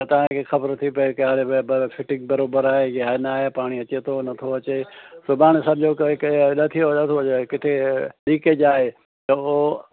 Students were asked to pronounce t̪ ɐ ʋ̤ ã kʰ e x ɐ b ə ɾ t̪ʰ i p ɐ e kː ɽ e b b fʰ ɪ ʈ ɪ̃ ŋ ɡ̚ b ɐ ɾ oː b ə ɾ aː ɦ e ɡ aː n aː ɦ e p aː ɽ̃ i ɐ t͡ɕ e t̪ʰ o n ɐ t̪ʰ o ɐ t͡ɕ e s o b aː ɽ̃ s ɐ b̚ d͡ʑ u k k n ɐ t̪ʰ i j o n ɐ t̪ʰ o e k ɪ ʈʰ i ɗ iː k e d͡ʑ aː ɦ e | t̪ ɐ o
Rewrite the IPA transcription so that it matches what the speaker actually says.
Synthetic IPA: t̪ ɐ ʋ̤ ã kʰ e x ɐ b ə ɾ t̪ʰ i p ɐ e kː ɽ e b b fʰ ɪ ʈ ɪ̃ ŋ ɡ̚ b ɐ ɾ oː b ə ɾ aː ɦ e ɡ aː n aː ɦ e p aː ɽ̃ i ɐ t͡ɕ e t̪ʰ o n ɐ t̪ʰ o ɐ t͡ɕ e s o b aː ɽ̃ s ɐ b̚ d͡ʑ o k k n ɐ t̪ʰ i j o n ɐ t̪ʰ o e k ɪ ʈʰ e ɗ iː k e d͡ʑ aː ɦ e | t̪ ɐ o